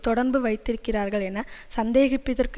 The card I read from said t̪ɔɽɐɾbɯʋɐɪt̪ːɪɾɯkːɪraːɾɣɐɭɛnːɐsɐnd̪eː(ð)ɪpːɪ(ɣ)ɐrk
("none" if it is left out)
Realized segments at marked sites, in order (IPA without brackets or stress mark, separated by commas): ɣ, ð